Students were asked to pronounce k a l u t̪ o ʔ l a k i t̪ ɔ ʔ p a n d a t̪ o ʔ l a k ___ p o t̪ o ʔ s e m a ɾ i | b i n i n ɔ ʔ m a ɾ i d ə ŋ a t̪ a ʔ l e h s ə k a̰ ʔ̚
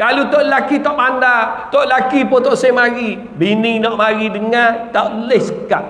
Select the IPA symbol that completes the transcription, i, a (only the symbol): i